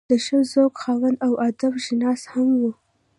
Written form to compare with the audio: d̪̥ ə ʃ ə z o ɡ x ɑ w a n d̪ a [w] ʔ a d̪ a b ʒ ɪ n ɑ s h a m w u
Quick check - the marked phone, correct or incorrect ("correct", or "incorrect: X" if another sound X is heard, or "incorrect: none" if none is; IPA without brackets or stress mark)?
correct